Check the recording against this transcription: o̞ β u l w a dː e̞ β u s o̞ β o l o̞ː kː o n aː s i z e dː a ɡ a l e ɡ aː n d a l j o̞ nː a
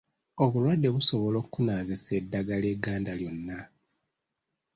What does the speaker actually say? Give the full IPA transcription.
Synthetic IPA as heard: o̞ β u l w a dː e̞ β u s o̞ β o l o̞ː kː u n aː z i s e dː a ɡ a l e ɡ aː n d a l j o̞ nː a